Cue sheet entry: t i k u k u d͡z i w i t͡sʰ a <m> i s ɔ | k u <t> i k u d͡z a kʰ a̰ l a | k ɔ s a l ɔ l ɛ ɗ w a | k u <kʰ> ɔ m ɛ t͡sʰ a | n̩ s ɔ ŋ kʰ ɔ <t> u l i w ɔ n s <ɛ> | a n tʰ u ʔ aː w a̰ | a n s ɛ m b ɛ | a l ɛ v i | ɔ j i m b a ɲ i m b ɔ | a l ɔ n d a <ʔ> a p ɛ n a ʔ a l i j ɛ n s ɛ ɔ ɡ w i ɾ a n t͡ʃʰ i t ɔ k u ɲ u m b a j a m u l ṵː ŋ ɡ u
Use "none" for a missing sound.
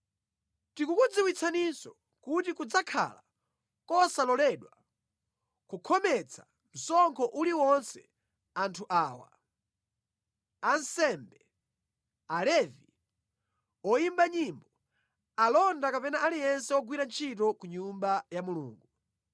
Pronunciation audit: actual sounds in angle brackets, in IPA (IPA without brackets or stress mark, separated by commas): n, t, kʰ, ʔ, ɛ, k